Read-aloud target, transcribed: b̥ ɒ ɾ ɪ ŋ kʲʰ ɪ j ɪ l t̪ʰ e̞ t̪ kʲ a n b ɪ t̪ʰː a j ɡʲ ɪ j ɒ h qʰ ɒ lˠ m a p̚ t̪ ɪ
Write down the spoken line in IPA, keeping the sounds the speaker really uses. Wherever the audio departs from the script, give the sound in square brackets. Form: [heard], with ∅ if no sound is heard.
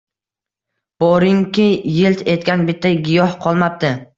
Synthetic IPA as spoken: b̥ ɒ ɾ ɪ ŋ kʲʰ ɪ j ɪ l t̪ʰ e̞ t̪ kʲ a n b ɪ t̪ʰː a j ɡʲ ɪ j ɒ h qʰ ɒ lˠ m a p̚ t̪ ɪ

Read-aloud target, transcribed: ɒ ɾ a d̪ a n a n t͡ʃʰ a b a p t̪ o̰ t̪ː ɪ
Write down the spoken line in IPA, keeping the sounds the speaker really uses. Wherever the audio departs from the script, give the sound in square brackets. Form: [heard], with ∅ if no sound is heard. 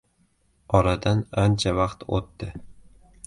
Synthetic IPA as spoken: ɒ ɾ a d̪ a n a n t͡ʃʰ a [v] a [q] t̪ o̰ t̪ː ɪ

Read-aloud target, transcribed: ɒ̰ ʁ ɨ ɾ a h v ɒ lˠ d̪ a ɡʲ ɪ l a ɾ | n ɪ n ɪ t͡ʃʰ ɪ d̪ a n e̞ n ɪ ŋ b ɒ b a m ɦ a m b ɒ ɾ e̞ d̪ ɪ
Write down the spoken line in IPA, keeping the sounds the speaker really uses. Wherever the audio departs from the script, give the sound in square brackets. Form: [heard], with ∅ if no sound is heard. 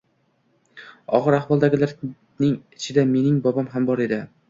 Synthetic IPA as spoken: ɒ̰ ʁ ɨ ɾ a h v ɒ lˠ d̪ a ɡʲ ɪ l a ɾ | n ɪ [ŋ] ɪ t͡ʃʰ ɪ d̪ a [m] e̞ n ɪ ŋ b ɒ b a m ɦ a m b ɒ ɾ e̞ d̪ ɪ

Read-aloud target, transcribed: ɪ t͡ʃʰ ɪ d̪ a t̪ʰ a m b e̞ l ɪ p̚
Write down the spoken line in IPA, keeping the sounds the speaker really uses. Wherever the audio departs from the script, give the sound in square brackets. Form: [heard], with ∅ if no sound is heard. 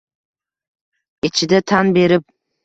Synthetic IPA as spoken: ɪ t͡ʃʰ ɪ d̪ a t̪ʰ a [n] b e̞ [ɾ] ɪ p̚

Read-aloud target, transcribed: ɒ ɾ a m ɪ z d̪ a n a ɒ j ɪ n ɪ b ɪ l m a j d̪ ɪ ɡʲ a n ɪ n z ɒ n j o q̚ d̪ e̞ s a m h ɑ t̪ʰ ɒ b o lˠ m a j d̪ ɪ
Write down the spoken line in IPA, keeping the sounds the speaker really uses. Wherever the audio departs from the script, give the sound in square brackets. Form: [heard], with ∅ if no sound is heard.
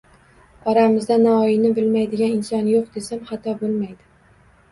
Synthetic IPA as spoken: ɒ ɾ a m ɪ z d̪ a n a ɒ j ɪ n ɪ b ɪ l m a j d̪ ɪ ɡʲ a n ɪ n [s] ɒ n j o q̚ d̪ e̞ s a m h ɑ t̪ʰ ɒ b o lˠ m a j d̪ ɪ

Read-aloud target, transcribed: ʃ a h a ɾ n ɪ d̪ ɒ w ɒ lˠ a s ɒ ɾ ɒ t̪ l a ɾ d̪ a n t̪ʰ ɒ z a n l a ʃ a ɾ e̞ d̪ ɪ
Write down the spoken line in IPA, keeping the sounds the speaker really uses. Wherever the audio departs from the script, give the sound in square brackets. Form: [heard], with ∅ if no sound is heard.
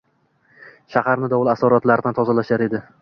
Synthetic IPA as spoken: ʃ a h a ɾ n ɪ d̪ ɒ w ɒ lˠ a s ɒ ɾ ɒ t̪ l a ɾ d̪ a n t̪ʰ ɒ z a [∅] l a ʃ a ɾ e̞ d̪ ɪ

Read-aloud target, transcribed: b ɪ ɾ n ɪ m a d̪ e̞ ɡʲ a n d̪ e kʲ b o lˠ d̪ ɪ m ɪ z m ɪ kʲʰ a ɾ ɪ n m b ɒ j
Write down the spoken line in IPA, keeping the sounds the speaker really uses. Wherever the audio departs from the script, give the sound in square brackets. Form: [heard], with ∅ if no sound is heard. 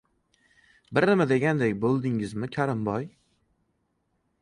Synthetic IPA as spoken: b ɪ ɾ n ɪ m a d̪ e̞ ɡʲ a n d̪ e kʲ b o lˠ d̪ ɪ [ŋ] ɪ z m ɪ kʲʰ a ɾ ɪ [∅] m b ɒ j

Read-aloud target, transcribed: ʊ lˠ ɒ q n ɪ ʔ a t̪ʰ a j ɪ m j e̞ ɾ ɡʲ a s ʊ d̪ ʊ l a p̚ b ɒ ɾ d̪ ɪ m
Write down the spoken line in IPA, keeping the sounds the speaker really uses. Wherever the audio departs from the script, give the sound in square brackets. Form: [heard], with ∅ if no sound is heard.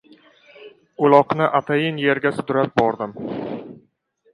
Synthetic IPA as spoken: ʊ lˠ ɒ q n ɪ ʔ a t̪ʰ a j ɪ [n] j e̞ ɾ ɡʲ a s ʊ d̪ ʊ [ɾ] a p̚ b ɒ ɾ d̪ ɪ m

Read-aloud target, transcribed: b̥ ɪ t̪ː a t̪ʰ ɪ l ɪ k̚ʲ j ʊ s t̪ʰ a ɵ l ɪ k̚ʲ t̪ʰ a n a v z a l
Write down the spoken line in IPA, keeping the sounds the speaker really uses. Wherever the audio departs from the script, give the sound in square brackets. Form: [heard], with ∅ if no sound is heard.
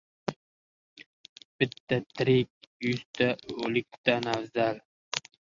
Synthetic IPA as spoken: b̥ ɪ t̪ː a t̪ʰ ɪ [ɾ] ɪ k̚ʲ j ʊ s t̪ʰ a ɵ l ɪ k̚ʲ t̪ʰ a n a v z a l

